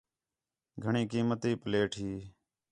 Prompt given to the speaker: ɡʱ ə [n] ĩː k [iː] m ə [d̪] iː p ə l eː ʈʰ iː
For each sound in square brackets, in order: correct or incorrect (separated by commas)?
incorrect, correct, incorrect